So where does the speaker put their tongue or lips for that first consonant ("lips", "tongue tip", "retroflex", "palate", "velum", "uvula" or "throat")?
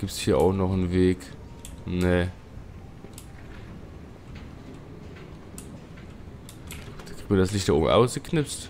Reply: velum